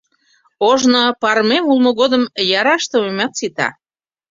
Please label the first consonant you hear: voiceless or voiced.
voiced